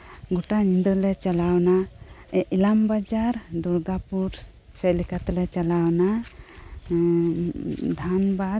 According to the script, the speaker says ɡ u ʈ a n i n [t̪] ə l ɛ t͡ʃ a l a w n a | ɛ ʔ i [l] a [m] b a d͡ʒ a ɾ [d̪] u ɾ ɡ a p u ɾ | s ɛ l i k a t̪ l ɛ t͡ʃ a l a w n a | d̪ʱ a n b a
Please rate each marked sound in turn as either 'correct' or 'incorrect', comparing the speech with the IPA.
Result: incorrect: d̪, correct, correct, correct

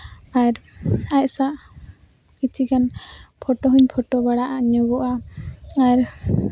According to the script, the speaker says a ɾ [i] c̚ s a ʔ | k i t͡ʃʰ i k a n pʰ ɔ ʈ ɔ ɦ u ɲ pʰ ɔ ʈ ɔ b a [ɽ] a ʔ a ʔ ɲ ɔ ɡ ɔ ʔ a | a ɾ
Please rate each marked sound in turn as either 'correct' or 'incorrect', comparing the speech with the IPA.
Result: incorrect: a, correct

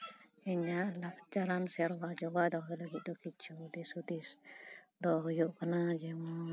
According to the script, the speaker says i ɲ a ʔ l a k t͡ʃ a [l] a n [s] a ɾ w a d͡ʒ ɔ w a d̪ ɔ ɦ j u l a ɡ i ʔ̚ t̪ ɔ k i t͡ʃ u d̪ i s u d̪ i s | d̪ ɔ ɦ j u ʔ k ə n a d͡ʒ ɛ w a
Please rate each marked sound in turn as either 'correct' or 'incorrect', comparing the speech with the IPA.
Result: incorrect: ɾ, correct

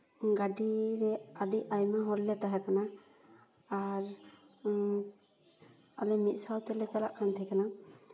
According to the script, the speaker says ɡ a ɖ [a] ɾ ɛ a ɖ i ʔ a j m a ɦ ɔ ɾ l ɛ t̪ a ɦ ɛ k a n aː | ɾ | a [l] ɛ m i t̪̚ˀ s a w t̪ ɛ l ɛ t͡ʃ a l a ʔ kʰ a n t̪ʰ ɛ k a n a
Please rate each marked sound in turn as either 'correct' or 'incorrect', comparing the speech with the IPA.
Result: incorrect: i, correct

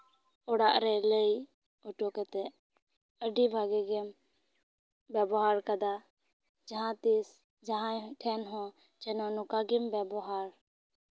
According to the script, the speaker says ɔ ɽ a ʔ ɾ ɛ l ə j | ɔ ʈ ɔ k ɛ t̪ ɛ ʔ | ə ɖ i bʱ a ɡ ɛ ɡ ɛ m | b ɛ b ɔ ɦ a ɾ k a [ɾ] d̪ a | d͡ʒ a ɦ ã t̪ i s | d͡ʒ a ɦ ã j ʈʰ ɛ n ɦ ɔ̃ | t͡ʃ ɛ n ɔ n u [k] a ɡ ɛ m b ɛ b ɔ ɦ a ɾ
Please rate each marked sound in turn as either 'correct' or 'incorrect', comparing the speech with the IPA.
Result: incorrect: none, correct

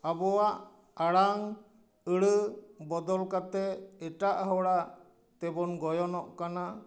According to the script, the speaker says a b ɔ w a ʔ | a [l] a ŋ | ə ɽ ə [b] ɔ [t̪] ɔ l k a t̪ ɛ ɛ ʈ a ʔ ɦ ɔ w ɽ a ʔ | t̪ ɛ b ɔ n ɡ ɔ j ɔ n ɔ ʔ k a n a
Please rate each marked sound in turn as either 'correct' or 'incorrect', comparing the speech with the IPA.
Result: incorrect: ɽ, correct, incorrect: d̪

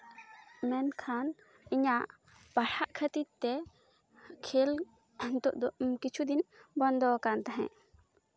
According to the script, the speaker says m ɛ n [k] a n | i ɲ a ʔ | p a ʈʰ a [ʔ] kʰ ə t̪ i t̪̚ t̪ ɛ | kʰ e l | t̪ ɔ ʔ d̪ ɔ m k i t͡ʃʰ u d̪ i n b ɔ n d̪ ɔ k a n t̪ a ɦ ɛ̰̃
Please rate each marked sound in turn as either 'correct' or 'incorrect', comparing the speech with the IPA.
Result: incorrect: kʰ, correct

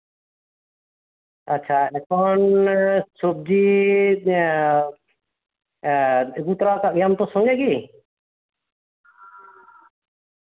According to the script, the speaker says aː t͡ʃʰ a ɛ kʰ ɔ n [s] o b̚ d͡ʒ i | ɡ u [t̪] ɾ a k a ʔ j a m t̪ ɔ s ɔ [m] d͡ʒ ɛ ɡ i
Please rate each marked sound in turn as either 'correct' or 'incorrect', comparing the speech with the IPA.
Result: correct, correct, incorrect: ŋ

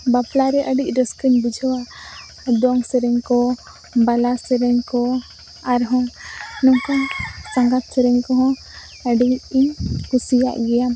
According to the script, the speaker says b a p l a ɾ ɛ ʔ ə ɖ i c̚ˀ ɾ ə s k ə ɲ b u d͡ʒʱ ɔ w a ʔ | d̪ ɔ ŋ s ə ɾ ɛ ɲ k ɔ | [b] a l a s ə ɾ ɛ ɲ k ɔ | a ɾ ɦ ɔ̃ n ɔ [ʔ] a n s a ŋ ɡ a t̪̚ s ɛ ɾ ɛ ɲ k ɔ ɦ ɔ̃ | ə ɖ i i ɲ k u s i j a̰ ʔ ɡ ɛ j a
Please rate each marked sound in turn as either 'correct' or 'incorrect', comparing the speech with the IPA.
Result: correct, incorrect: k

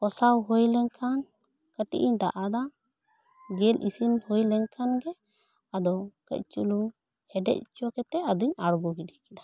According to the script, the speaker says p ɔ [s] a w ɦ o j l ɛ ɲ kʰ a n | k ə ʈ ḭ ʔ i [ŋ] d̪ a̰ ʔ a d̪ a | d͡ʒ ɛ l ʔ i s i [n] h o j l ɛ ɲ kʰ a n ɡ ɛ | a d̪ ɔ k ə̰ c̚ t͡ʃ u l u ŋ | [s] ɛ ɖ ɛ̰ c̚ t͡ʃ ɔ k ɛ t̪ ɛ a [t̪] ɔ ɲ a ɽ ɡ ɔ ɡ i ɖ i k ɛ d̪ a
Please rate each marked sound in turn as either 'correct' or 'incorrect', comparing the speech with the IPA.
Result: correct, incorrect: ɲ, correct, incorrect: h, incorrect: d̪

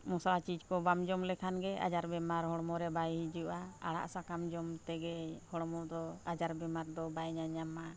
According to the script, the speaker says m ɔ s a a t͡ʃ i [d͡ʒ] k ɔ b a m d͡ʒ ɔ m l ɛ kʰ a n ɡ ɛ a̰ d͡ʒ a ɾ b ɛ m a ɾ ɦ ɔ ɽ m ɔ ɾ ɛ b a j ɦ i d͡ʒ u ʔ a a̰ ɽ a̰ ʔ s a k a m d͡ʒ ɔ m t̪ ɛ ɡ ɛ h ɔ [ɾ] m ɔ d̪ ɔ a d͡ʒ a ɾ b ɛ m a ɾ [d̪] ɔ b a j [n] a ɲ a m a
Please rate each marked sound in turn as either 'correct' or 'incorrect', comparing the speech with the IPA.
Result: correct, incorrect: ɽ, correct, incorrect: ɲ

